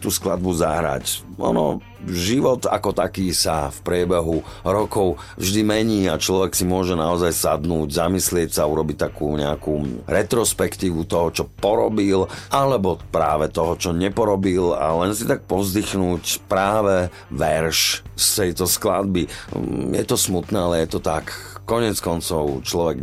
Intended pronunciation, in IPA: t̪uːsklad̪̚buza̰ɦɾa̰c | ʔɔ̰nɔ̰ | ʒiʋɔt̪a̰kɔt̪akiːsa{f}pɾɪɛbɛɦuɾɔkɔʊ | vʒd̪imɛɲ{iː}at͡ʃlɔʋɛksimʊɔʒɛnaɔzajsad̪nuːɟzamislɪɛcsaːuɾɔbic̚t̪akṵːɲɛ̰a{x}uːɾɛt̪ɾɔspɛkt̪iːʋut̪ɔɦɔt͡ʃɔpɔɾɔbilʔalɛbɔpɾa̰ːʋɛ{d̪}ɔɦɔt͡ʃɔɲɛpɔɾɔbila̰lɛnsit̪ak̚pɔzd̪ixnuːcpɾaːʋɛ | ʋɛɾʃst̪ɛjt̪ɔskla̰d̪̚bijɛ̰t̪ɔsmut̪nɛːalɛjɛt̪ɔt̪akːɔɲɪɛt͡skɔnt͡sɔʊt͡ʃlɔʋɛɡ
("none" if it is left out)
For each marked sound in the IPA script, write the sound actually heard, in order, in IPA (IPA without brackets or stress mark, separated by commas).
f, iː, k, t̪